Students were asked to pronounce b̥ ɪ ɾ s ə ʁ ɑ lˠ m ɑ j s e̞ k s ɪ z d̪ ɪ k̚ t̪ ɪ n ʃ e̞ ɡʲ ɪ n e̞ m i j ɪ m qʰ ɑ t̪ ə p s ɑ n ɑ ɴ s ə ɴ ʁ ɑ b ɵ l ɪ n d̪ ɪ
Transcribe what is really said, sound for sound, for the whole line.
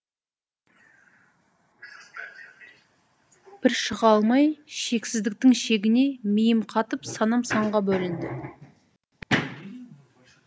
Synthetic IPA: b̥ ɪ ɾ ʃ ə ʁ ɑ lˠ m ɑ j ʃ e̞ k s ɪ z d̪ ɪ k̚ t̪ ɪ ŋ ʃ e̞ ɡʲ ɪ n e̞ m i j ɪ m qʰ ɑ t̪ ə p s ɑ n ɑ m s ɑ ɴ ʁ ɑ b ɵ l ɪ n d̪ ɪ

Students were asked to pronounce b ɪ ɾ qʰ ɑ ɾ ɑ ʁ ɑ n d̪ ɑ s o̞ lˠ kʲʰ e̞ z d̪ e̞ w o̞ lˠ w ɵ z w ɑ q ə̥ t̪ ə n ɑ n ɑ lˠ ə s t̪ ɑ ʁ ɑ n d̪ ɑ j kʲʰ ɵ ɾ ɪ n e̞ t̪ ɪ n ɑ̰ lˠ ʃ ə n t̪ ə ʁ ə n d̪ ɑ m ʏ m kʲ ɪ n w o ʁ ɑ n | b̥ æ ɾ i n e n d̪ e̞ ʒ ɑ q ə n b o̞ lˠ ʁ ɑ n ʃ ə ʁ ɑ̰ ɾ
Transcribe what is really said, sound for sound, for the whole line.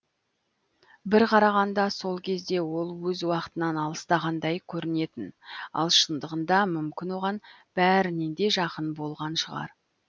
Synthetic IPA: b ɪ ɾ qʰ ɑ ɾ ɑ ʁ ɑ n d̪ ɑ s o̞ lˠ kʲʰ e̞ z d̪ e̞ w o̞ lˠ w ɵ z w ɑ q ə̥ t̪ ə n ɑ n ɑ lˠ ə s t̪ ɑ ʁ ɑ n d̪ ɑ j kʲʰ ɵ ɾ ɪ n e̞ t̪ ɪ n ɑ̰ lˠ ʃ ə n d̪ ə ʁ ə n d̪ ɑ m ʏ m kʲ ɪ n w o ʁ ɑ n | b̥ æ ɾ ɪ n e n d̪ e̞ ʒ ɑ q ə n b o̞ lˠ ʁ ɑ n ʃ ə ʁ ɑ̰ ɾ

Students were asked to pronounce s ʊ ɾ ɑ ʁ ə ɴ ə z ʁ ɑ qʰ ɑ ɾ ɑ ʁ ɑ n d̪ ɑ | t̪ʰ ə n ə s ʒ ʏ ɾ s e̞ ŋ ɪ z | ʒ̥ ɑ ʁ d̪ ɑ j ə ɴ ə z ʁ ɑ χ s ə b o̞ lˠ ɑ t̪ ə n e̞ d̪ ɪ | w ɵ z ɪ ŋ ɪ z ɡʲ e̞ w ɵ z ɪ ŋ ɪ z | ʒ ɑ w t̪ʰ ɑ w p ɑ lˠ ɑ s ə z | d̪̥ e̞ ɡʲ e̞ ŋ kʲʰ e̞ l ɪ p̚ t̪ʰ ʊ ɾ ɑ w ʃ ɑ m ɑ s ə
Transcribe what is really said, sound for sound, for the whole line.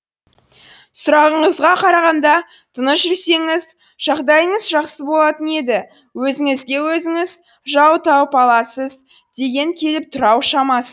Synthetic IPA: s ʊ ɾ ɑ ʁ ə ɴ ə z ʁ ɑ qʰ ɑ ɾ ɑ ʁ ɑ n d̪ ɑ | t̪ʰ ə n ə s ʒ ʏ ɾ s e̞ ŋ ɪ z | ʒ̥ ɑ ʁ d̪ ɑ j ə ɴ ə z ʒ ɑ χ s ə b o̞ lˠ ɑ t̪ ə n e̞ d̪ ɪ | w ɵ z ɪ ŋ ɪ z ɡʲ e̞ w ɵ z ɪ ŋ ɪ z | ʒ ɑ w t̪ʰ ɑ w p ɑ lˠ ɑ s ə z | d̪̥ e̞ ɡʲ e̞ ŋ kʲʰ e̞ l ɪ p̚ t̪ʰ ʊ ɾ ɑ w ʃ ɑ m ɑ s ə

